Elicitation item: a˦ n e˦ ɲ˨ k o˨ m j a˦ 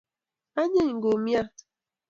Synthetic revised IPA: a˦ ɲ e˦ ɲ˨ ɡ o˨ m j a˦